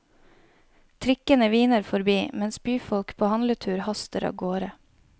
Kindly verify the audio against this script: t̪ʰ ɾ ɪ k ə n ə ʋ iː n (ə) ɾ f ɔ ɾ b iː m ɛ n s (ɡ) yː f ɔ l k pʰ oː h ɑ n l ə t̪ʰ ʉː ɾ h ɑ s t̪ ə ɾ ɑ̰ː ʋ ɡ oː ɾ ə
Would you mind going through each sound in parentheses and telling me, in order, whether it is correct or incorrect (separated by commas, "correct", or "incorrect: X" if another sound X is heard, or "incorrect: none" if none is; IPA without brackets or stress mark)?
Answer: correct, incorrect: b